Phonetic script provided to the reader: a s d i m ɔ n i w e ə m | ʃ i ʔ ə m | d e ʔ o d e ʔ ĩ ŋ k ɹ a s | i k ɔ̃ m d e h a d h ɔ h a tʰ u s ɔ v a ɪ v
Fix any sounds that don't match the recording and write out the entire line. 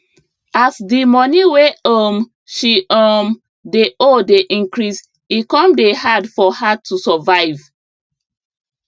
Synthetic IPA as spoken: a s d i m ɔ n i w e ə m | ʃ i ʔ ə m | d e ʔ o d e ʔ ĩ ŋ k ɹ i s | i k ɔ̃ m d e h a d f ɔ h a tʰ u s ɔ v a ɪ v